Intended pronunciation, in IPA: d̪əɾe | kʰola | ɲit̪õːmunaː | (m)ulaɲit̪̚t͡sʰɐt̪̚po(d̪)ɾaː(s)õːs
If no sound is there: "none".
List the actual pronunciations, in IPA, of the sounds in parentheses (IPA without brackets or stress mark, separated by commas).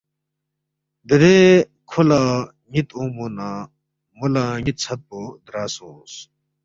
m, d̪, s